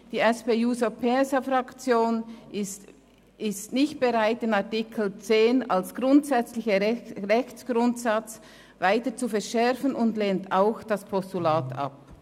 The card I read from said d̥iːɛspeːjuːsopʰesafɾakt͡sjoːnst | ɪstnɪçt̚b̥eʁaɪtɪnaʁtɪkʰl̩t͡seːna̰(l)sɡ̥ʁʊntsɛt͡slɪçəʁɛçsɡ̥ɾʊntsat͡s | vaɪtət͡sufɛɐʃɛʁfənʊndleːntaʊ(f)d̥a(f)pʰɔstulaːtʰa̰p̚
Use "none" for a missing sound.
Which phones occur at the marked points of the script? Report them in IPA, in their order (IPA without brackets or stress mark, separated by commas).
l, x, s